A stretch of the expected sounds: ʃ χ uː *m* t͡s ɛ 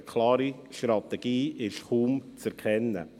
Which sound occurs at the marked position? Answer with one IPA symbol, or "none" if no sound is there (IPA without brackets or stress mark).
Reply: m